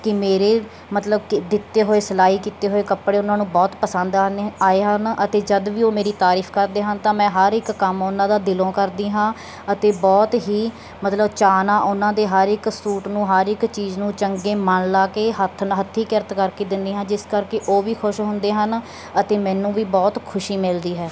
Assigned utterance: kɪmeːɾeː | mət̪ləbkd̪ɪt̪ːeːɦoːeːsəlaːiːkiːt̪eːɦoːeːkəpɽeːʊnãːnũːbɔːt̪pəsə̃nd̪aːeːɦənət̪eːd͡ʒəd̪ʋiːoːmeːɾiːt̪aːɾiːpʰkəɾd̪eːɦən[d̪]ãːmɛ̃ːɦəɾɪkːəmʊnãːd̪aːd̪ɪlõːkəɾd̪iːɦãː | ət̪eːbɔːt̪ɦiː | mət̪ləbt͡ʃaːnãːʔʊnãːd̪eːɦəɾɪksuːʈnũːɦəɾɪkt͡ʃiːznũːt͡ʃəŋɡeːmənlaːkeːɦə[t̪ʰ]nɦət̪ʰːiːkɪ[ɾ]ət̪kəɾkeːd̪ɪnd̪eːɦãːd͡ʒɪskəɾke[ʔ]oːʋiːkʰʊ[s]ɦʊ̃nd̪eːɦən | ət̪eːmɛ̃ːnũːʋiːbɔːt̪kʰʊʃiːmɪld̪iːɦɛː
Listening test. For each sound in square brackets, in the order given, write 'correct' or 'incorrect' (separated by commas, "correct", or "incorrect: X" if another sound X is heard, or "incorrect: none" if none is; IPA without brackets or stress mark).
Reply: incorrect: t̪, correct, correct, correct, incorrect: ʃ